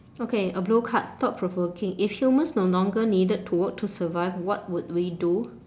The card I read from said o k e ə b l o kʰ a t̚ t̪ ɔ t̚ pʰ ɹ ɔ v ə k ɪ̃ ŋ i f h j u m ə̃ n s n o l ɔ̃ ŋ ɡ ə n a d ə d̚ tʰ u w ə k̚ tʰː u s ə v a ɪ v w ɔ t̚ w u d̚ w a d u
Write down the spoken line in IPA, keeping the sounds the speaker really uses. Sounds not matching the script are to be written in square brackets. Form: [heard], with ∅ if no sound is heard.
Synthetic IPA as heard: o k e ə b l o kʰ a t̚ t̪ ɔ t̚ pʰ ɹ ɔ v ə k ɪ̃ ŋ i f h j u m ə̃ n s n o l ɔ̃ ŋ ɡ ə n [i] d ə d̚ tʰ u w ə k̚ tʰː u s ə v a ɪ v w ɔ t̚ w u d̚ w [i] d u